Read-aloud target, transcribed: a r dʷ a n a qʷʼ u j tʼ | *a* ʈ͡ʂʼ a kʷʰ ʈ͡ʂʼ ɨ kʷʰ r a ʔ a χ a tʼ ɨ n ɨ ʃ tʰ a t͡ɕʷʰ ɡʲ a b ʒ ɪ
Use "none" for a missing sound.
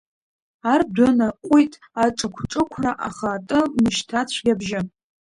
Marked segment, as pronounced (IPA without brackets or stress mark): a